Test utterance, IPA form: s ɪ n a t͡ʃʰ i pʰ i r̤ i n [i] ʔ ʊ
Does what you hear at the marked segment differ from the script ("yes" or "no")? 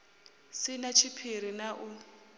yes